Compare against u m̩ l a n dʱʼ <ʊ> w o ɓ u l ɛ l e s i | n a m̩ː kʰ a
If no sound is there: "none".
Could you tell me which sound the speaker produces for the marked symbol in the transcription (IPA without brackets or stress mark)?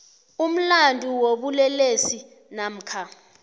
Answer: u